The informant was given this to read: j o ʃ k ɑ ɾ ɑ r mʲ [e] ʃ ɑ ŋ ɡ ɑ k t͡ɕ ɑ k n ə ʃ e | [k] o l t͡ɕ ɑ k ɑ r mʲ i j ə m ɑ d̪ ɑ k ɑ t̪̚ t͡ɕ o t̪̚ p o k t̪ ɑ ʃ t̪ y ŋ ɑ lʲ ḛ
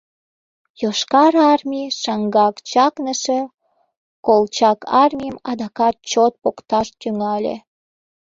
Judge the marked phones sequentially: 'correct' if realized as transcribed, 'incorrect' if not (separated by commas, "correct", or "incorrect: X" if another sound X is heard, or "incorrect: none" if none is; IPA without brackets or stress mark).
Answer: incorrect: i, correct